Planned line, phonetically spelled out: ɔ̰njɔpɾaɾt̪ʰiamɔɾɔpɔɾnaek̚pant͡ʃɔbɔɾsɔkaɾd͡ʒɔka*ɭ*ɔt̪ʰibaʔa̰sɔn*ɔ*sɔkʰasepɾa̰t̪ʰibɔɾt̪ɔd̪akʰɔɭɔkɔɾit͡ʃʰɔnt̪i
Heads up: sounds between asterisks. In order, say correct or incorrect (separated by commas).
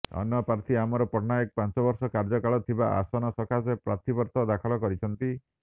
correct, correct